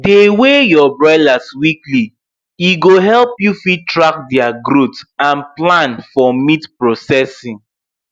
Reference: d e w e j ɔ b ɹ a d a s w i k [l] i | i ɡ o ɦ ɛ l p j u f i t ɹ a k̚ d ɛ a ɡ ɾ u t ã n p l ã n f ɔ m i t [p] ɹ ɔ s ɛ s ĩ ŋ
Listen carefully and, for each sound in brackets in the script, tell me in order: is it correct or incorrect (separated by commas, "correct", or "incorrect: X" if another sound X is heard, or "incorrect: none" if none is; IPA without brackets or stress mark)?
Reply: correct, correct